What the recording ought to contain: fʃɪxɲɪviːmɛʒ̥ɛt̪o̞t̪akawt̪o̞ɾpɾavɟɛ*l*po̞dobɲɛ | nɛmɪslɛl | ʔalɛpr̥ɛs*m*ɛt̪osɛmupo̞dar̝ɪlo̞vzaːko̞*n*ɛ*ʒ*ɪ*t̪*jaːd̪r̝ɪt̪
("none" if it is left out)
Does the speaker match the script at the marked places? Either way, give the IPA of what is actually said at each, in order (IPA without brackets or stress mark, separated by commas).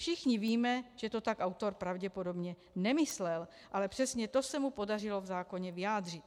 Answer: none, ɲ, ɲ, v, none